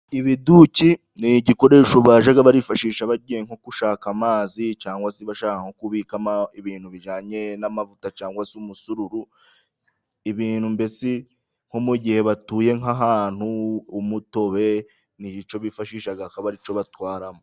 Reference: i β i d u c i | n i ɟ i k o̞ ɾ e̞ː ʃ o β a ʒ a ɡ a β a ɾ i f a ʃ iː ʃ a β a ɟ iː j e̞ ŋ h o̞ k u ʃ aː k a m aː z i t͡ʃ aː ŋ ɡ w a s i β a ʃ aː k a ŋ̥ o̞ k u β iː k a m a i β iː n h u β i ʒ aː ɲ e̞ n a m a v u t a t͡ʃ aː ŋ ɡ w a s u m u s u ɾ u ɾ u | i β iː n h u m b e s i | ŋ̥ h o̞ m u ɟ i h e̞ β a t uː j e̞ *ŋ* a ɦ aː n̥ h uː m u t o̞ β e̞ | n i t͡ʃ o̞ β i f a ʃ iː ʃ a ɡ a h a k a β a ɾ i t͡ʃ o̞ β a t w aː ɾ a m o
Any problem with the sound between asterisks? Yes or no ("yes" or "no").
no